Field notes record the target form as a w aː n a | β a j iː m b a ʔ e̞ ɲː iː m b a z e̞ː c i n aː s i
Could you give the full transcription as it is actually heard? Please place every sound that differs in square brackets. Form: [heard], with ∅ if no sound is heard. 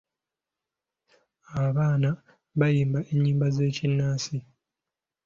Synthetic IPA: a [β] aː n a | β a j iː m b a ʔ e̞ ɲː iː m b a z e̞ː c i [nː] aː s i

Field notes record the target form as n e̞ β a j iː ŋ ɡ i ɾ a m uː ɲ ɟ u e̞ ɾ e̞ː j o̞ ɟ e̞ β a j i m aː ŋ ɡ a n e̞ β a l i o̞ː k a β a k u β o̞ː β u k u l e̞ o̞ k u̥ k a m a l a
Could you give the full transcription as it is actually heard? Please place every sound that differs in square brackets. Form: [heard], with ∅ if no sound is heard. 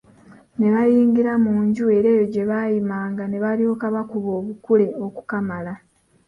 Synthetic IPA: n e̞ β a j iː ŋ ɡ i ɾ a m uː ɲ ɟ u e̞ ɾ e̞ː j o̞ ɟ e̞ β a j i m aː ŋ ɡ a n e̞ β a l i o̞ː k a β a k u β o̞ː β u k u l e̞ o̞ k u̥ k a m a l a

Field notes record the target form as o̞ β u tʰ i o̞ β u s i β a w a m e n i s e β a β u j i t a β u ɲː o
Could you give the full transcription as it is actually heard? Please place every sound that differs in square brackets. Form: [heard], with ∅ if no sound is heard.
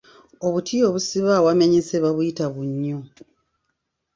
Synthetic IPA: o̞ β u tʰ i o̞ β u s i β a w a m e [ɲ] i s e β a β u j i t a β u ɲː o

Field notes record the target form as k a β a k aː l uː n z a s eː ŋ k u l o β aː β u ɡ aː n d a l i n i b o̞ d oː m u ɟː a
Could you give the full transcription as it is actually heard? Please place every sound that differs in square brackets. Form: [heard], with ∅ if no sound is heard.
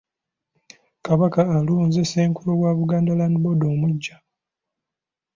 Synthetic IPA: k a β a k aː l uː n z [e] s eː ŋ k u l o [w] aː β u ɡ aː n d a l [a] n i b o̞ d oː m u ɟː a

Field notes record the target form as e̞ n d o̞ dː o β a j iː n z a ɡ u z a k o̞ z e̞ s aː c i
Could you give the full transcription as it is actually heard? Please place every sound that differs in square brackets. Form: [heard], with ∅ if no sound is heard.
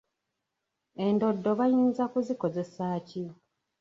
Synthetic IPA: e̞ n d o̞ dː o β a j iː n z a [k] u z [i] k o̞ z e̞ s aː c i

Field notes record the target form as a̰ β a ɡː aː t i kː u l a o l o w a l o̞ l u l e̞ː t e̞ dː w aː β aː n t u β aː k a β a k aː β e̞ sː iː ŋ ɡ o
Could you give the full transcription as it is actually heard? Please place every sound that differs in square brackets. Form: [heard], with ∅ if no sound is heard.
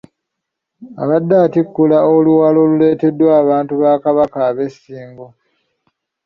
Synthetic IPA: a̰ β a [dː] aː t i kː u l a o l [u] w a l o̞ l u l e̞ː t e̞ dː w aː β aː n t u β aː k a β a k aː β e̞ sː iː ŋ ɡ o

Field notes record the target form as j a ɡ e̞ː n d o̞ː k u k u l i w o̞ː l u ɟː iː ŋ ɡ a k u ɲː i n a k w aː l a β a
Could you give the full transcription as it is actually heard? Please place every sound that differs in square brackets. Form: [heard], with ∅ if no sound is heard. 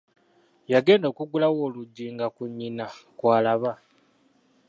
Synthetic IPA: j a ɡ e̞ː n d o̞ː k u [ɡ] u l [a] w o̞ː l u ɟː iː ŋ ɡ a k u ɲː i n a k w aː l a β a

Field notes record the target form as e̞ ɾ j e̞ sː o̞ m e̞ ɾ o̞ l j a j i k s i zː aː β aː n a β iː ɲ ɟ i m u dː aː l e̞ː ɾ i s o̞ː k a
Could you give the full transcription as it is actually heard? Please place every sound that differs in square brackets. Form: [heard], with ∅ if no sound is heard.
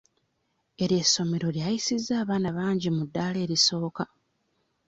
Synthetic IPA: e̞ ɾ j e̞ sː o̞ m e̞ ɾ o̞ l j a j i [∅] s i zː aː β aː n a β [aː] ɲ ɟ i m u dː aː l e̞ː ɾ i s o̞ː k a

